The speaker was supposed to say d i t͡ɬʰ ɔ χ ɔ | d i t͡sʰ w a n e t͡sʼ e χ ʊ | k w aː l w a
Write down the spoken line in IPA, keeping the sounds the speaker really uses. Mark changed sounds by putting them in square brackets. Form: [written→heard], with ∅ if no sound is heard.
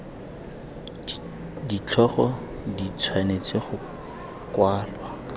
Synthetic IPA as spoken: d i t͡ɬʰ ɔ χ ɔ | d i t͡sʰ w a n e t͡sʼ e χ ʊ | k w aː l w a